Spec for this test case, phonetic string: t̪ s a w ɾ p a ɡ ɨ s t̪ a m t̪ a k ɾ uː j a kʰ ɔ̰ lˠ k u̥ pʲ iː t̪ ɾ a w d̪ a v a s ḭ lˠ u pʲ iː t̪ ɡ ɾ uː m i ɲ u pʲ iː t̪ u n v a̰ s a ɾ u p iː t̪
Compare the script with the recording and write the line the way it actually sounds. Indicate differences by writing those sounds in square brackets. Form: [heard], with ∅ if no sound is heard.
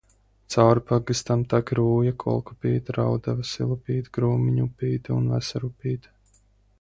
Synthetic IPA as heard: t̪ s a w ɾ p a ɡ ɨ s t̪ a m t̪ a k ɾ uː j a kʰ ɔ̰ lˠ k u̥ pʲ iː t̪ ɾ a w d̪ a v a s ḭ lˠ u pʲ iː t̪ ɡ ɾ uː m i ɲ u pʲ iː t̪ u n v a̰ s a ɾ u p iː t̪